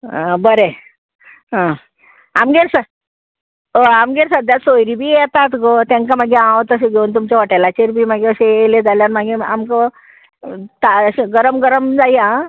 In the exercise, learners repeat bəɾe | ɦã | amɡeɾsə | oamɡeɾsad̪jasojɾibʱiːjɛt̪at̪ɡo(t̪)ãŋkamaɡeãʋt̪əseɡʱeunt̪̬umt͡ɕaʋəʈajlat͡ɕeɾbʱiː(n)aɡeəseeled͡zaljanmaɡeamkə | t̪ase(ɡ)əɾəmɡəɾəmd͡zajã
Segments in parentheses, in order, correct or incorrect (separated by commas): correct, incorrect, correct